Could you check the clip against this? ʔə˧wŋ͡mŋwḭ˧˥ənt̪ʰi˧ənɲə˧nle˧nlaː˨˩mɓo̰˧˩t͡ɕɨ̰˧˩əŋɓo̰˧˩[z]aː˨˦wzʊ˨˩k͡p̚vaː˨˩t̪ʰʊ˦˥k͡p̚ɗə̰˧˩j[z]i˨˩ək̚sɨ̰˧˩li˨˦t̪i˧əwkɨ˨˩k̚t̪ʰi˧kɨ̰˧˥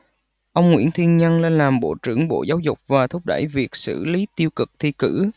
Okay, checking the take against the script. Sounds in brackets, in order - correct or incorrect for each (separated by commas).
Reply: correct, incorrect